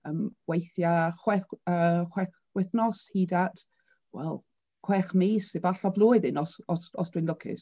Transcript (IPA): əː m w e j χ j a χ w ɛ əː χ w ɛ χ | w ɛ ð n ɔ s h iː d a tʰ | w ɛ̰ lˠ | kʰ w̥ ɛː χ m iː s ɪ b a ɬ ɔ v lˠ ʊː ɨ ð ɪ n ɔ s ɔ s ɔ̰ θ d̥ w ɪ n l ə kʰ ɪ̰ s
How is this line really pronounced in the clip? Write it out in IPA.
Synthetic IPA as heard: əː m w e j θ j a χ w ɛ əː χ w ɛ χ | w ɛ θ n ɔ s h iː d a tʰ | w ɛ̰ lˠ | kʰ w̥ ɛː χ m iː s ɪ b a ɬ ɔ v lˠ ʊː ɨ ð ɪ n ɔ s ɔ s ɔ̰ s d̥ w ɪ n l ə kʰ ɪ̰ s